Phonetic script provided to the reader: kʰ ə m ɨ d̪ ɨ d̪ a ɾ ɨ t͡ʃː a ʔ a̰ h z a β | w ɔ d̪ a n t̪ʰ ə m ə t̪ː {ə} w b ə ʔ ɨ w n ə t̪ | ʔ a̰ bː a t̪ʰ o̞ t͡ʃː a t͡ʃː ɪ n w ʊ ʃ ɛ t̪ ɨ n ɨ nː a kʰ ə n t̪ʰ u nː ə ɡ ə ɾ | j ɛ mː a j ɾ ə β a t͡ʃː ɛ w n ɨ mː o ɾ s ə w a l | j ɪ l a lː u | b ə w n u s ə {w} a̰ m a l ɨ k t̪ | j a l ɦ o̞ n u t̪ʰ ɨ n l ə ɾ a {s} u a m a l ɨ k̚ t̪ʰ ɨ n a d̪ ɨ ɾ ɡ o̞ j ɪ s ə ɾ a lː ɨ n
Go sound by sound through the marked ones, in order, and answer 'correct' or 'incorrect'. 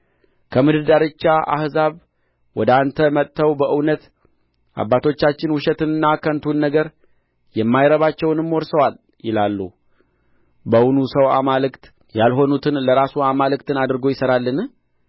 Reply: correct, correct, correct

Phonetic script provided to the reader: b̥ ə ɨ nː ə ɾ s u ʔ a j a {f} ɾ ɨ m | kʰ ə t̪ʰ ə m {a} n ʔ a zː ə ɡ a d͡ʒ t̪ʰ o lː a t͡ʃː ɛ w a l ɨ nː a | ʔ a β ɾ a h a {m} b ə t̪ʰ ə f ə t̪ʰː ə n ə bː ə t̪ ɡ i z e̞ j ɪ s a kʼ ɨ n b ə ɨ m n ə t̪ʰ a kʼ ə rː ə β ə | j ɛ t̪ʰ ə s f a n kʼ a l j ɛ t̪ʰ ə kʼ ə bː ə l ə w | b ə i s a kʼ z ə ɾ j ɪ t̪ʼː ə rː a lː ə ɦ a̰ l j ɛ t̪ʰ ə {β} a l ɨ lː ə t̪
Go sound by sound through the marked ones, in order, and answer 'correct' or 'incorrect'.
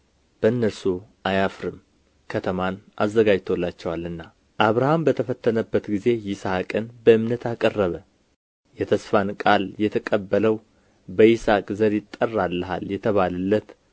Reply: correct, correct, correct, correct

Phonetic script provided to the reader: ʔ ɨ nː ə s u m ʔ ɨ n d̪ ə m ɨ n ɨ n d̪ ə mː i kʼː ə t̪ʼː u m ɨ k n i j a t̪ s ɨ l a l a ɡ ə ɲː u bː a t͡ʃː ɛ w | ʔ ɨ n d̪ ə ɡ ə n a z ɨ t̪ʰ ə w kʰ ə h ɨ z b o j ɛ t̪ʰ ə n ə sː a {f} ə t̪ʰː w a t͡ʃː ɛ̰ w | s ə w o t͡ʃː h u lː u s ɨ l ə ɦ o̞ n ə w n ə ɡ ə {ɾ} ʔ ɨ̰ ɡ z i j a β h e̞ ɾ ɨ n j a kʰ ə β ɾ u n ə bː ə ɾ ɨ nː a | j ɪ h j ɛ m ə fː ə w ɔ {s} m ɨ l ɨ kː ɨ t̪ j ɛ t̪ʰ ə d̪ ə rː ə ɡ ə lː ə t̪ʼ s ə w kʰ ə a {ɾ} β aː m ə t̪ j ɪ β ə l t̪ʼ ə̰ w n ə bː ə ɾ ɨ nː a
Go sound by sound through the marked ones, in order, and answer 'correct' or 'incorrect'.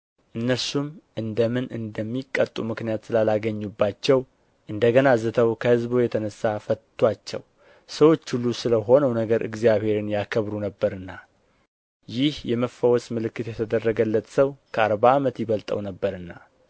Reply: correct, correct, correct, correct

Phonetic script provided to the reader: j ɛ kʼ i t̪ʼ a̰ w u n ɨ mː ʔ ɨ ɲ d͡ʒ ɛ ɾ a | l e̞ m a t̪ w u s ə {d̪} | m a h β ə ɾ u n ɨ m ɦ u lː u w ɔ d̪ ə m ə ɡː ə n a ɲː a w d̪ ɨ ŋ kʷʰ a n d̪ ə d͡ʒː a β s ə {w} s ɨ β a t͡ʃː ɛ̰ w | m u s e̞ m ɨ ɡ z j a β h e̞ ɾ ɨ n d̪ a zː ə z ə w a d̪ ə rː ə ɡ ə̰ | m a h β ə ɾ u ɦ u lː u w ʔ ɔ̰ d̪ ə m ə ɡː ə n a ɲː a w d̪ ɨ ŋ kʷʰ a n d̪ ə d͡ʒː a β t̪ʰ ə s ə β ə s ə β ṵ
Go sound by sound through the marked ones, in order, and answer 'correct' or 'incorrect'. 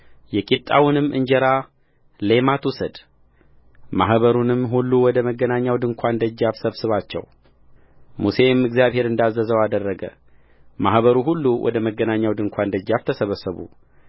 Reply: correct, incorrect: β

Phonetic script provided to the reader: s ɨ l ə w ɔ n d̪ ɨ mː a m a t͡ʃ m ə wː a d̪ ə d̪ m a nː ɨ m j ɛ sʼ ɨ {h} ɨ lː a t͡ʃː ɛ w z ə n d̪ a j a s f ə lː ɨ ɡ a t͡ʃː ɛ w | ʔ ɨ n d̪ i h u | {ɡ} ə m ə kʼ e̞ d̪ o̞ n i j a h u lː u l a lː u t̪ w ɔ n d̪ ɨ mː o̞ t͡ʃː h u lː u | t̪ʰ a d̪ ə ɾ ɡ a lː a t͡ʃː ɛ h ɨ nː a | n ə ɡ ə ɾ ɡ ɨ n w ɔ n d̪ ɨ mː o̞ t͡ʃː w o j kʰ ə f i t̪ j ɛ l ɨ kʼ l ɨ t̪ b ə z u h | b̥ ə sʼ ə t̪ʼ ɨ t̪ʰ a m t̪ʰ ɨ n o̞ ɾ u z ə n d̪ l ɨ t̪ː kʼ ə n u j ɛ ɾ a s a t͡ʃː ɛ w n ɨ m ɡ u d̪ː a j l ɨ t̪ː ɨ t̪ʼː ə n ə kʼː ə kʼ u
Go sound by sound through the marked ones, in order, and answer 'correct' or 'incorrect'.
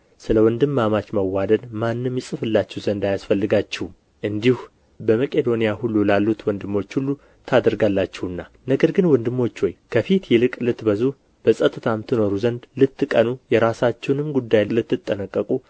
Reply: incorrect: f, incorrect: b

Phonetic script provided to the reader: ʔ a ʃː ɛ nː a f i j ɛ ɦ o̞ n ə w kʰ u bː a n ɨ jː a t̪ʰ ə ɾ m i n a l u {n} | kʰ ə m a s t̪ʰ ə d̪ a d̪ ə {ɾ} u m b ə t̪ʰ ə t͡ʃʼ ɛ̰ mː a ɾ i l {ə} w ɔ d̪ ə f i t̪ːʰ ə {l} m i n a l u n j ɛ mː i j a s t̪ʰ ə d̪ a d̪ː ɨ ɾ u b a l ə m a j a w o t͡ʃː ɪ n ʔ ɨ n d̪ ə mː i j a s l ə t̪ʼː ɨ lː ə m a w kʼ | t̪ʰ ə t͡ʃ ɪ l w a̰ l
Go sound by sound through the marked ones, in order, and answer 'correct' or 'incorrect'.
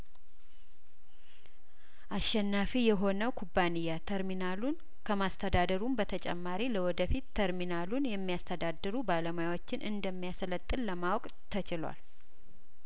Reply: correct, correct, correct, incorrect: ɾ

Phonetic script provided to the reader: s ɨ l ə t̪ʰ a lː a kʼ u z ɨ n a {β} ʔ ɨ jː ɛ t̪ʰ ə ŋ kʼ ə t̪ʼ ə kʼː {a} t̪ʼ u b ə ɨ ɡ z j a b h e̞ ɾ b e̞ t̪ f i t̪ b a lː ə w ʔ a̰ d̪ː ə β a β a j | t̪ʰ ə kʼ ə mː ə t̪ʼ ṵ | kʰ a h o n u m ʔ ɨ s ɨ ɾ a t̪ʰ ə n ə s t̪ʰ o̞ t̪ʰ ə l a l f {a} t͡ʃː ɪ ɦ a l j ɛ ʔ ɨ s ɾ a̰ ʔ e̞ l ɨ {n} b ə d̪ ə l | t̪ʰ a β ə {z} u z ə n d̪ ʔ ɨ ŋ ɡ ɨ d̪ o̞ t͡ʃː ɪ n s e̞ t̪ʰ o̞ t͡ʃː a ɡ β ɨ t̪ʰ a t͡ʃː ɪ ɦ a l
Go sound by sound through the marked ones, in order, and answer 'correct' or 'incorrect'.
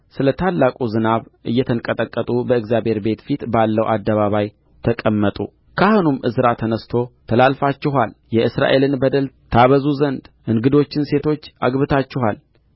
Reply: correct, incorrect: ə, correct, correct, correct

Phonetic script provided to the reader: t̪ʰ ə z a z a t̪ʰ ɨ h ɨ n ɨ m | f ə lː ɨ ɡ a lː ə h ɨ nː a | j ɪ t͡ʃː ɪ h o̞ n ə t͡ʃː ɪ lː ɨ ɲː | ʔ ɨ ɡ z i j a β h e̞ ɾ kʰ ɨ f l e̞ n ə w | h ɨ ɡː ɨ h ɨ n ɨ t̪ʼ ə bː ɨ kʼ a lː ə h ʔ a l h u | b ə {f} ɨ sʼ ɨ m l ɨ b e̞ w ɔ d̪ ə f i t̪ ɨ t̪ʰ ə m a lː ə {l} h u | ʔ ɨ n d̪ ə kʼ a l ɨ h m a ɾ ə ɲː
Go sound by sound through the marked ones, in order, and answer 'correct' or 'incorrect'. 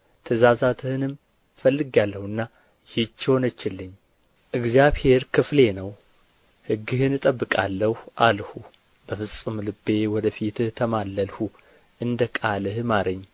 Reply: correct, correct

